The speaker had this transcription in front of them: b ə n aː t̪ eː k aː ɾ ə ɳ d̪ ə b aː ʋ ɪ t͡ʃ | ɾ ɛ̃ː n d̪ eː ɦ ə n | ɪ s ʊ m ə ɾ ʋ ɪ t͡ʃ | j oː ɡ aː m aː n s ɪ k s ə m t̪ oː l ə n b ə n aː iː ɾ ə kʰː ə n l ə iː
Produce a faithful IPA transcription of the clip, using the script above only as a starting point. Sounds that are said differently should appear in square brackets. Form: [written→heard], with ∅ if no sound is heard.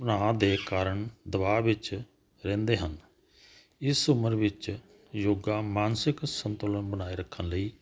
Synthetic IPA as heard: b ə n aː [t̪→d̪] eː k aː ɾ ə ɳ d̪ ə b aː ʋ ɪ t͡ʃ | ɾ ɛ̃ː n d̪ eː ɦ ə n | ɪ s ʊ m ə ɾ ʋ ɪ t͡ʃ | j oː ɡ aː m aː n s ɪ k s ə [m→n] t̪ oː l ə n b ə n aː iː ɾ ə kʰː ə n l ə iː